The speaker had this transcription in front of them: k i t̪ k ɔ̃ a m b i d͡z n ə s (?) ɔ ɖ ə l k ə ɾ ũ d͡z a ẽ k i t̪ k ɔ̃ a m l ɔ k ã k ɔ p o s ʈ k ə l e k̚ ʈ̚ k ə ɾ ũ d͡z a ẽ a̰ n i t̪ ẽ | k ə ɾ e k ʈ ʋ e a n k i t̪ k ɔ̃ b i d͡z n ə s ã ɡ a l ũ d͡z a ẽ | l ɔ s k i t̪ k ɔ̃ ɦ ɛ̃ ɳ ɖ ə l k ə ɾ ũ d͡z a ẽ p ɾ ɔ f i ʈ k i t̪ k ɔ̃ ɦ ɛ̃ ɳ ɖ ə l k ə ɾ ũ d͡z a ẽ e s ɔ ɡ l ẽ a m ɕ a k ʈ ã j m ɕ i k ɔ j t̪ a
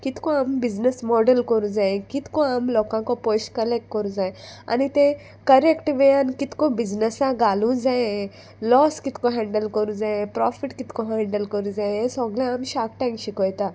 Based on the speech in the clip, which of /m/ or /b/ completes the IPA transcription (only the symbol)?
m